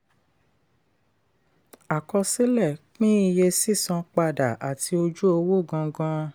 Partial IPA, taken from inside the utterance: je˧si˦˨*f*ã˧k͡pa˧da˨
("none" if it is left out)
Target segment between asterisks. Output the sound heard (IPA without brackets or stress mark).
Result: s